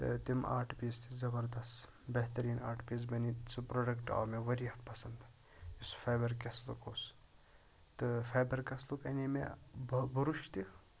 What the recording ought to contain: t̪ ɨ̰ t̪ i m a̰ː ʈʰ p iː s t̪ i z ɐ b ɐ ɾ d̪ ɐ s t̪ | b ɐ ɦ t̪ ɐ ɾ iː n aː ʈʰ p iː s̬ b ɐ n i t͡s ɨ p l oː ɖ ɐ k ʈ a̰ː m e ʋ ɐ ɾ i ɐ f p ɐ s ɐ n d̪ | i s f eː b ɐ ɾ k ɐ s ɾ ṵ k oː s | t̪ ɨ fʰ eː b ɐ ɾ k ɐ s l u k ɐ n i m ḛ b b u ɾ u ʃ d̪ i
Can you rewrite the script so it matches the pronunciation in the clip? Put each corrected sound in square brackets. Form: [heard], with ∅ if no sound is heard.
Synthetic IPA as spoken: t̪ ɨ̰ t̪ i m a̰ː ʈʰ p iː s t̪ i z ɐ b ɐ ɾ d̪ ɐ s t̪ | b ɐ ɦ t̪ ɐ ɾ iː n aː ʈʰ p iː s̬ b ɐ n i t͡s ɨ p [ɾ] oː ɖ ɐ k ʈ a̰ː m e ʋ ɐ ɾ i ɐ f p ɐ s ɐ n d̪ | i s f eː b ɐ ɾ k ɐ s [l] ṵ k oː s | t̪ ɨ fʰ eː b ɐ ɾ k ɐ s l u k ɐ n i m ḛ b b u ɾ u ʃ [t̪] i